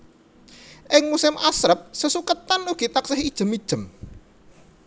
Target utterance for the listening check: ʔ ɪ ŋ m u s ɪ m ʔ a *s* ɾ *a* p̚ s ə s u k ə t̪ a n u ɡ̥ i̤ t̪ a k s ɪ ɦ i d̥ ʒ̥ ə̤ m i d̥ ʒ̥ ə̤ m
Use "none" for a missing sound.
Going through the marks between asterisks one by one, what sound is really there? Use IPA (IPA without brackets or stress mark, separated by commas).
s, ə